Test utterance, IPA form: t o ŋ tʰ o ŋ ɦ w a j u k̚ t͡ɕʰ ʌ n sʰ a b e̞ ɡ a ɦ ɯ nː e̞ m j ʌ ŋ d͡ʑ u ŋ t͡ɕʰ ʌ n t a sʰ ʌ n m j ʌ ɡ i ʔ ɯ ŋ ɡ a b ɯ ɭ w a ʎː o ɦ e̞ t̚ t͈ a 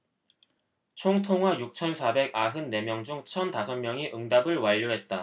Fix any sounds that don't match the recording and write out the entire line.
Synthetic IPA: t͡ɕʰ o ŋ tʰ o ŋ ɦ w a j u k̚ t͡ɕʰ ʌ n sʰ a b e̞ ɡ a ɦ ɯ nː e̞ m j ʌ ŋ d͡ʑ u ŋ t͡ɕʰ ʌ n t a sʰ ʌ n m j ʌ ŋ i ʔ ɯ ŋ d a b ɯ ɭ w a ʎː o ɦ e̞ t̚ t͈ a

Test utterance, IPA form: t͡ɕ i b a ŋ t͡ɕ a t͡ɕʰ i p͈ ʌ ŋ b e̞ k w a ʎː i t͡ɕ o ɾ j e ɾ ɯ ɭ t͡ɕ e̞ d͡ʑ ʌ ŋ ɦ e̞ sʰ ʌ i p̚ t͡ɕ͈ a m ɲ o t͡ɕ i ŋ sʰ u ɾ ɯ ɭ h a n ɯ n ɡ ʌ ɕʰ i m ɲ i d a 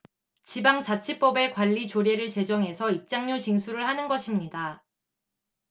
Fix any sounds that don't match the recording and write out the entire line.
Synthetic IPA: t͡ɕ i b a ŋ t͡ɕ a t͡ɕʰ i p͈ ʌ b e̞ k w a ʎː i t͡ɕ o ɾ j e ɾ ɯ ɭ t͡ɕ e̞ d͡ʑ ʌ ŋ ɦ e̞ sʰ ʌ i p̚ t͡ɕ͈ a ŋ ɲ o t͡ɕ i ŋ sʰ u ɾ ɯ ɭ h a n ɯ n ɡ ʌ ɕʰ i m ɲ i d a

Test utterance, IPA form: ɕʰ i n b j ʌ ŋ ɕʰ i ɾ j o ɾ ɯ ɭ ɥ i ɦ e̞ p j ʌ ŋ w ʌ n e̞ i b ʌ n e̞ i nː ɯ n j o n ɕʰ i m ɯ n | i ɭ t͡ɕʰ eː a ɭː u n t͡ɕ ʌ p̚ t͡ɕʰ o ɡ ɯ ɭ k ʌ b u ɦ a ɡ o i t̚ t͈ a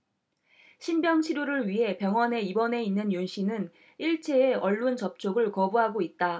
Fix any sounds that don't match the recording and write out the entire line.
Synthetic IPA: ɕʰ i n b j ʌ ŋ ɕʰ i ɾ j o ɾ ɯ ɭ ɥ i ɦ e̞ p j ʌ ŋ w ʌ n e̞ i b ʌ n e̞ i nː ɯ n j o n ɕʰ i n ɯ n | i ɭ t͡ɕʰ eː ʌ ɭː u n t͡ɕ ʌ p̚ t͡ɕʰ o ɡ ɯ ɭ k ʌ b u ɦ a ɡ o i t̚ t͈ a

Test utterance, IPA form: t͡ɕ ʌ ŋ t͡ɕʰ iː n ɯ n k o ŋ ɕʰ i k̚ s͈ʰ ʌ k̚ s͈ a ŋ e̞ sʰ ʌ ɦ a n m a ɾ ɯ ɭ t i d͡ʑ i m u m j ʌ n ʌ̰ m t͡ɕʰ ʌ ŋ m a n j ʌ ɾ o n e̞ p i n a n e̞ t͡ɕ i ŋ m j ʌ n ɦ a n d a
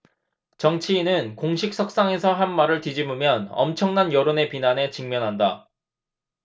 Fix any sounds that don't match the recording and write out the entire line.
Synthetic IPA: t͡ɕ ʌ ŋ t͡ɕʰ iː n ɯ n k o ŋ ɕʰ i k̚ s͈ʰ ʌ k̚ s͈ a ŋ e̞ sʰ ʌ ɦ a n m a ɾ ɯ ɭ t i d͡ʑ i m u m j ʌ n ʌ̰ m t͡ɕʰ ʌ ŋ n a n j ʌ ɾ o n e̞ p i n a n e̞ t͡ɕ i ŋ m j ʌ n ɦ a n d a

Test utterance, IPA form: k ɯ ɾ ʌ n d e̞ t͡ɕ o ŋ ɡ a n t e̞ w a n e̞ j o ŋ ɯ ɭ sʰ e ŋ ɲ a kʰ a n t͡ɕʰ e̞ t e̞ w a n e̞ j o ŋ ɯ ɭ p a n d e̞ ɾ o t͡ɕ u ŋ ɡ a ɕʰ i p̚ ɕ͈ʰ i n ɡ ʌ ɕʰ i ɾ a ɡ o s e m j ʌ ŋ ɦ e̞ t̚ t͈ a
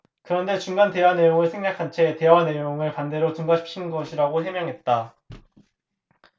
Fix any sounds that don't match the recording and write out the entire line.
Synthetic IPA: k ɯ ɾ ʌ n d e̞ t͡ɕ u ŋ ɡ a n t e̞ w a n e̞ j o ŋ ɯ ɭ sʰ e ŋ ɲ a kʰ a n t͡ɕʰ e̞ t e̞ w a n e̞ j o ŋ ɯ ɭ p a n d e̞ ɾ o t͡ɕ u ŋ ɡ a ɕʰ i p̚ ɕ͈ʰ i n ɡ ʌ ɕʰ i ɾ a ɡ o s e m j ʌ ŋ ɦ e̞ t̚ t͈ a

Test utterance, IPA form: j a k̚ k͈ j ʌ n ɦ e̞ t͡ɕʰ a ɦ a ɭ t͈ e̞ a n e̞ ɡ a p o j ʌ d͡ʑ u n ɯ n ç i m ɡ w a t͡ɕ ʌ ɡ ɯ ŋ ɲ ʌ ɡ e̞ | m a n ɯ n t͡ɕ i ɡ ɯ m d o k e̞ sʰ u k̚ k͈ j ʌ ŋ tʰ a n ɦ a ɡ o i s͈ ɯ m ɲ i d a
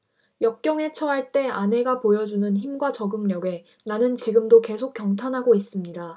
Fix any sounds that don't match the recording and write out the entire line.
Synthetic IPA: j ʌ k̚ k͈ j ʌ ŋ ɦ e̞ t͡ɕʰ ʌ ɦ a ɭ t͈ e̞ a n e̞ ɡ a p o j ʌ d͡ʑ u n ɯ n ç i m ɡ w a t͡ɕ ʌ ɡ ɯ ŋ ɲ ʌ ɡ e̞ | n a n ɯ n t͡ɕ i ɡ ɯ m d o k e̞ sʰ o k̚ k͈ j ʌ ŋ tʰ a n ɦ a ɡ o i s͈ ɯ m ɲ i d a

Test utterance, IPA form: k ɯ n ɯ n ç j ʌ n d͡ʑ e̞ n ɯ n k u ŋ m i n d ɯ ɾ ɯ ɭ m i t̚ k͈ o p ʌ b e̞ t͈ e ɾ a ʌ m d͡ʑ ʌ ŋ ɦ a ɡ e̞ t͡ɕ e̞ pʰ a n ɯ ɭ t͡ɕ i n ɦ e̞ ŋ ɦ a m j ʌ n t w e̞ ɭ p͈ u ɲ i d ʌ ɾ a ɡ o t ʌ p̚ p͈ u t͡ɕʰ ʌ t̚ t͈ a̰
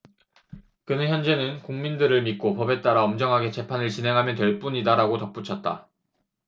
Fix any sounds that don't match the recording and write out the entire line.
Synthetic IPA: k ɯ n ɯ n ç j ʌ n d͡ʑ e̞ n ɯ n k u ŋ m i n d ɯ ɾ ɯ ɭ m i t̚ k͈ o p ʌ b e̞ t͈ a ɾ a ʌ m d͡ʑ ʌ ŋ ɦ a ɡ e̞ t͡ɕ e̞ pʰ a n ɯ ɭ t͡ɕ i n ɦ e̞ ŋ ɦ a m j ʌ n t w e̞ ɭ p͈ u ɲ i d a ɾ a ɡ o t ʌ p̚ p͈ u t͡ɕʰ ʌ t̚ t͈ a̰

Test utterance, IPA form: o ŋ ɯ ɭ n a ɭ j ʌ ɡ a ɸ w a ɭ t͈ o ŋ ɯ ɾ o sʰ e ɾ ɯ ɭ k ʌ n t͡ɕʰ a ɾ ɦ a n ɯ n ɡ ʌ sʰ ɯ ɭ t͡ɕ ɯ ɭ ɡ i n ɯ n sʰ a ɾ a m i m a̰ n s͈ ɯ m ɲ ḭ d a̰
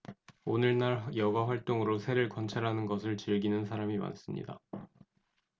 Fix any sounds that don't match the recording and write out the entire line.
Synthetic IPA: o n ɯ ɭ n a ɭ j ʌ ɡ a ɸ w a ɭ t͈ o ŋ ɯ ɾ o sʰ e ɾ ɯ ɭ k ʌ n t͡ɕʰ a ɾ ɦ a n ɯ n ɡ ʌ sʰ ɯ ɭ t͡ɕ ɯ ɭ ɡ i n ɯ n sʰ a ɾ a m i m a̰ n s͈ ɯ m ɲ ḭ d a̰

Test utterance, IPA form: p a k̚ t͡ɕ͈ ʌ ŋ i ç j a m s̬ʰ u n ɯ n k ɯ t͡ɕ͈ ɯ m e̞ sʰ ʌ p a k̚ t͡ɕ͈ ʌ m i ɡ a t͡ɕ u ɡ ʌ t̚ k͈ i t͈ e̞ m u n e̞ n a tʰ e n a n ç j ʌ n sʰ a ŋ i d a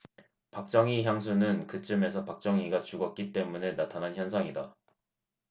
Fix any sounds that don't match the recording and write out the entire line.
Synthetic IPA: p a k̚ t͡ɕ͈ ʌ ŋ i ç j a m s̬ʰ u n ɯ n k ɯ t͡ɕ͈ ɯ m e̞ sʰ ʌ p a k̚ t͡ɕ͈ ʌ ŋ i ɡ a t͡ɕ u ɡ ʌ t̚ k͈ i t͈ e̞ m u n e̞ n a tʰ a n a n ç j ʌ n sʰ a ŋ i d a

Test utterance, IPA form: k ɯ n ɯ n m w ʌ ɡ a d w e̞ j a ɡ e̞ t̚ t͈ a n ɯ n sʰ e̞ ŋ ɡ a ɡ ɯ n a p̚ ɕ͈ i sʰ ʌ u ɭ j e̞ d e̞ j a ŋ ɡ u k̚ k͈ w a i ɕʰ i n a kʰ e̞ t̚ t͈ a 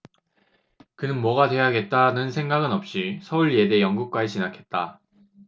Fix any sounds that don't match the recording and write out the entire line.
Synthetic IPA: k ɯ n ɯ n m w ʌ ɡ a d w e̞ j a ɡ e̞ t̚ t͈ a n ɯ n sʰ e̞ ŋ ɡ a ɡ ɯ n ʌ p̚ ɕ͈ i sʰ ʌ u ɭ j e̞ d e̞ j ʌ ŋ ɡ u k̚ k͈ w a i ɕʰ i n a kʰ e̞ t̚ t͈ a

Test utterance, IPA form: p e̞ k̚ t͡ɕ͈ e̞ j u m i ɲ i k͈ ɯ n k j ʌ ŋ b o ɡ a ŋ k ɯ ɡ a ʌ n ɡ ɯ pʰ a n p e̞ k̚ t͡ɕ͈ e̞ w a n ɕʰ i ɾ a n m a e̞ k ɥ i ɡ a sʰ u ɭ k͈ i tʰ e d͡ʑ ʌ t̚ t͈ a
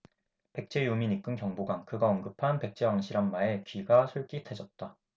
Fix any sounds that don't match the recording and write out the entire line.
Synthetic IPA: p e̞ k̚ t͡ɕ͈ e̞ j u m i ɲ i k͈ ɯ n k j ʌ ŋ b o ɡ a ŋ k ɯ ɡ a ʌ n ɡ ɯ pʰ a n p e̞ k̚ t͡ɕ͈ e̞ w a ŋ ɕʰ i ɾ a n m a e̞ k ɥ i ɡ a sʰ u ɭ k͈ i tʰ e d͡ʑ ʌ t̚ t͈ a

